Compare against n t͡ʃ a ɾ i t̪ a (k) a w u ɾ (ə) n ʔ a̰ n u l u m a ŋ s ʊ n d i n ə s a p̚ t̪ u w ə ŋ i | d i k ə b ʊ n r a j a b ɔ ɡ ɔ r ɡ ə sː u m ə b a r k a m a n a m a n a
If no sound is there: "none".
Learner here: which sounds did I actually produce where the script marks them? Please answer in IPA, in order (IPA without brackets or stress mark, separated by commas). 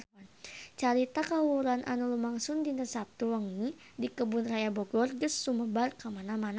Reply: k, a